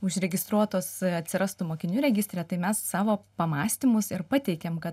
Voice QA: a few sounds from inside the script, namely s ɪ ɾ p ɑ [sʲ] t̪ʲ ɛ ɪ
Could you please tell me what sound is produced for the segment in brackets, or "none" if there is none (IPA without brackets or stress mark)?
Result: none